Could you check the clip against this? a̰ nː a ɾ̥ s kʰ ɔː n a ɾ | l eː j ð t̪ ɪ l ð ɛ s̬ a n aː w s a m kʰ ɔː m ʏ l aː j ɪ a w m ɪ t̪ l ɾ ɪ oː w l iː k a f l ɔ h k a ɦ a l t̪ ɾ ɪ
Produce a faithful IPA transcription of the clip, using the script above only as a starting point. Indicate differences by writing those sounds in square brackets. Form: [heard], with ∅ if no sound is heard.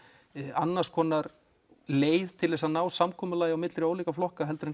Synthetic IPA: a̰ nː a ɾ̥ s kʰ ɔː n a ɾ | l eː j ð [t̪ʰ] ɪ l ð ɛ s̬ a n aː w s a m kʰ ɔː m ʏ l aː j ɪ a w m ɪ t̪ l ɾ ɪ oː w l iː k a f l ɔ h k a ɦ [ɛ] l t̪ ɾ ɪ